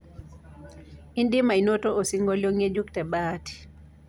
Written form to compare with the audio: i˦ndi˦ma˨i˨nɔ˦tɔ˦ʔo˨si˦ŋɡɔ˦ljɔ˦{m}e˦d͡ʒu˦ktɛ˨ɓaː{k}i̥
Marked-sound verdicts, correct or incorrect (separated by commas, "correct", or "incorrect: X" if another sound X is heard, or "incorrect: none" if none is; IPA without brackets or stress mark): incorrect: ŋ, incorrect: t